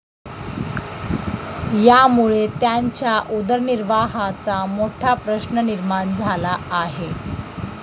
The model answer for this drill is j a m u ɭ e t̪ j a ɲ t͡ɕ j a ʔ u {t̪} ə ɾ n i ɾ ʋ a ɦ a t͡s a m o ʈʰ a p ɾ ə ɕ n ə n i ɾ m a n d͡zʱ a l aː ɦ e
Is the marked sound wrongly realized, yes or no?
yes